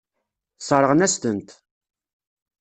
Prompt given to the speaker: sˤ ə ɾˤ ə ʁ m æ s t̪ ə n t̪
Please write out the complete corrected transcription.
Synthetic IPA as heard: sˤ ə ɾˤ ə ʁ n æ s t̪ ə n t̪